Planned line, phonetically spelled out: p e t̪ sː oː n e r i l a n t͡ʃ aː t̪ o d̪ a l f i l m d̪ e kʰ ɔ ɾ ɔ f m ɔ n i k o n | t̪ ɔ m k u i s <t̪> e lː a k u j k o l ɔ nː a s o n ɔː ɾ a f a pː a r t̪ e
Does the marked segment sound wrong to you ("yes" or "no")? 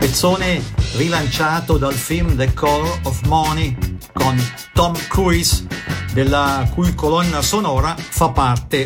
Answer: yes